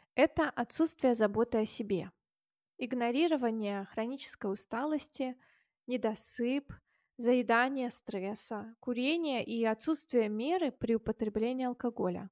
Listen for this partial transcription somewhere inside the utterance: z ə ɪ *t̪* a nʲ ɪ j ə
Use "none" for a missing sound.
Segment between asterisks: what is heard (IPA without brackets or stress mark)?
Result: d̪